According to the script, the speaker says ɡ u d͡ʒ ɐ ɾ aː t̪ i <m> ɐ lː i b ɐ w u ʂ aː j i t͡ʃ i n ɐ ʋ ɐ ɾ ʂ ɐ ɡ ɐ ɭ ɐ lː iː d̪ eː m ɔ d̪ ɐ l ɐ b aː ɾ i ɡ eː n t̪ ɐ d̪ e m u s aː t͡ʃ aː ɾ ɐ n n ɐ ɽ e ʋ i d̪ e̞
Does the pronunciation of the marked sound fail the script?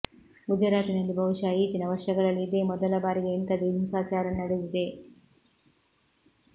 yes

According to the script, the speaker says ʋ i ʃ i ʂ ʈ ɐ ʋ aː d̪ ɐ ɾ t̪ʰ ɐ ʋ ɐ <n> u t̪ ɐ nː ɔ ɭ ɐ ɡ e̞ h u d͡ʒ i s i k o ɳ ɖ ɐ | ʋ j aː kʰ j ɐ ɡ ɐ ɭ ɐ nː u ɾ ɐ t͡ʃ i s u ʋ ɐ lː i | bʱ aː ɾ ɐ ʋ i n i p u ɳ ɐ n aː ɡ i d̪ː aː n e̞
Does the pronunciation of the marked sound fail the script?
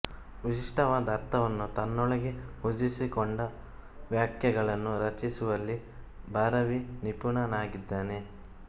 yes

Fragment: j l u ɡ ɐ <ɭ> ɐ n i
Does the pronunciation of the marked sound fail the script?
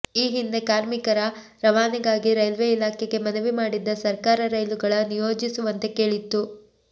no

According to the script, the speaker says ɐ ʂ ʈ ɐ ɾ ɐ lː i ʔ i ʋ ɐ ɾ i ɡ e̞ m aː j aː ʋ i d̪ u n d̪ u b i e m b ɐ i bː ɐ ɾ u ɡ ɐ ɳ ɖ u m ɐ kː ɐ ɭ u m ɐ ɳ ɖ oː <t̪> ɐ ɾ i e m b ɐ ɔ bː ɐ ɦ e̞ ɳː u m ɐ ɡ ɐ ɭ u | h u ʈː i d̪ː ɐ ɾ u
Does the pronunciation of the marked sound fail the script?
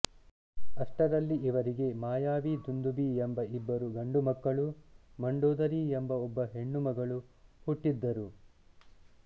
yes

